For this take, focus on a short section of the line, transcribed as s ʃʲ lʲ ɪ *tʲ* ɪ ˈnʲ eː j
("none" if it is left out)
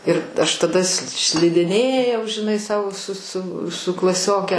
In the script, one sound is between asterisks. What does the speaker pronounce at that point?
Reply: dʲ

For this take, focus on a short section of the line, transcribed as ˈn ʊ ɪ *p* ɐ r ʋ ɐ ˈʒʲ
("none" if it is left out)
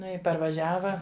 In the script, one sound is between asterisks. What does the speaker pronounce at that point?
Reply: p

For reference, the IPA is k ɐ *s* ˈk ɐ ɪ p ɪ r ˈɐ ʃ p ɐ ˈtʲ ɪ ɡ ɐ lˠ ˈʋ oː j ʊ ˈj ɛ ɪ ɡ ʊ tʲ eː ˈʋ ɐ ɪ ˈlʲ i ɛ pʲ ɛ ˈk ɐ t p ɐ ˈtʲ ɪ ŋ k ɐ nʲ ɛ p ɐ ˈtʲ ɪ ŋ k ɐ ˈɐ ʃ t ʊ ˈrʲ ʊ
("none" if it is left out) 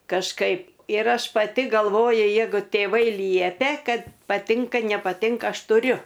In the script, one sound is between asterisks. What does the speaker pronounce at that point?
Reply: ʃ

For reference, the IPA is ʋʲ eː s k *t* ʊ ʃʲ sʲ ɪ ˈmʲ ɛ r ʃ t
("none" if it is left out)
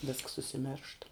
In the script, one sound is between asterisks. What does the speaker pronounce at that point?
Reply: s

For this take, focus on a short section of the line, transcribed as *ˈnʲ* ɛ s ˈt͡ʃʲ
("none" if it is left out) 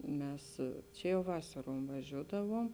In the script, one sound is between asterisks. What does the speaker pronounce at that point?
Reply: mʲ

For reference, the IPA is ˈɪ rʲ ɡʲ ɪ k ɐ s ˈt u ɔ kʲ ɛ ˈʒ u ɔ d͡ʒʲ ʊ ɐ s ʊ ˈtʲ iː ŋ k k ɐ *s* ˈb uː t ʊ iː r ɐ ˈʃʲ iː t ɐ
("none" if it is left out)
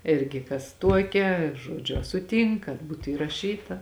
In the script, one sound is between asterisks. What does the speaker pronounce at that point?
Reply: t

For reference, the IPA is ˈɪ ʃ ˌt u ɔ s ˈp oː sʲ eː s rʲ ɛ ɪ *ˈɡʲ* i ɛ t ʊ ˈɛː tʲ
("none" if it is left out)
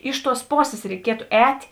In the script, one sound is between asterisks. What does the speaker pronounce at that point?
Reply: kʲ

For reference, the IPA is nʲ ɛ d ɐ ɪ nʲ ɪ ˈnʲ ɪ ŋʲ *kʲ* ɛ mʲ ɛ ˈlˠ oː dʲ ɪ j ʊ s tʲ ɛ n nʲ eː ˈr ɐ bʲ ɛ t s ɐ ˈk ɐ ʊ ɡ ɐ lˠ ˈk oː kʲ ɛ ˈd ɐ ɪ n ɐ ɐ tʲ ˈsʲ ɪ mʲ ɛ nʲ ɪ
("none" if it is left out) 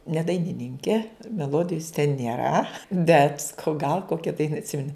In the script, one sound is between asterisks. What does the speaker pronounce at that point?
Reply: kʲ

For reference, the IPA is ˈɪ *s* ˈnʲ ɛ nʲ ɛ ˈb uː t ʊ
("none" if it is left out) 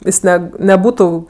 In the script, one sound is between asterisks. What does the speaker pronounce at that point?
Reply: s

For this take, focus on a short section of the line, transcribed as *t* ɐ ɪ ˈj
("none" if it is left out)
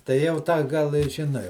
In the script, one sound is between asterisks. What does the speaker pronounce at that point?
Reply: t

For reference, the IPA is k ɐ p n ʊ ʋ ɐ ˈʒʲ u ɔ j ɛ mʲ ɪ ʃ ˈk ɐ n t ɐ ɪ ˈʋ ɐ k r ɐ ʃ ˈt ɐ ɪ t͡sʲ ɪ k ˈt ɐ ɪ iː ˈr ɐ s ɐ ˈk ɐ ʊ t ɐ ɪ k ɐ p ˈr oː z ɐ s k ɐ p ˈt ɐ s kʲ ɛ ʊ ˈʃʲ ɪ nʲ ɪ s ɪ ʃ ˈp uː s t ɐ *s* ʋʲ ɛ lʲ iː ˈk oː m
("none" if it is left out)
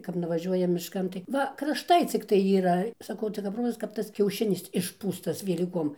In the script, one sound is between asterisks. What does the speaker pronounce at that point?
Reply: s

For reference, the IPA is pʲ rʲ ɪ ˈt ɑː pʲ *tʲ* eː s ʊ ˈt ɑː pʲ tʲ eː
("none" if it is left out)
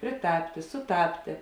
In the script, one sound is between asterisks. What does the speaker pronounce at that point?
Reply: tʲ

